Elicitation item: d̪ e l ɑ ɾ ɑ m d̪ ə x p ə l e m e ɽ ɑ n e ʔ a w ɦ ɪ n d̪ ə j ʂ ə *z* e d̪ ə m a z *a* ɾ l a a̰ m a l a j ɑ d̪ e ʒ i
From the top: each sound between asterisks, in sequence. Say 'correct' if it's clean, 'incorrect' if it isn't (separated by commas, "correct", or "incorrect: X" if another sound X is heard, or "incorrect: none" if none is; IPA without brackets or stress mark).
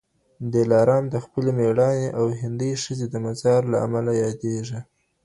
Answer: correct, incorrect: ɑ